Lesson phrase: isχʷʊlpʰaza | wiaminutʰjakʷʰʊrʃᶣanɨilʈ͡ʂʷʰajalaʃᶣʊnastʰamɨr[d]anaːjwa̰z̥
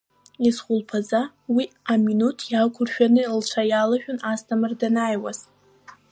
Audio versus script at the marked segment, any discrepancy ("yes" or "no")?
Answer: no